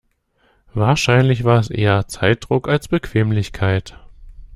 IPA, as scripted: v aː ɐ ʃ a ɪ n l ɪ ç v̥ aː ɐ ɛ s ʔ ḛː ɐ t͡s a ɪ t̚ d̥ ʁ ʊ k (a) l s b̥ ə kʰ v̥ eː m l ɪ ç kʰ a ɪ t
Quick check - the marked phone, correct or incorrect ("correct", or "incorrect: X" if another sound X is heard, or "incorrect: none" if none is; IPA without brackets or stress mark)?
correct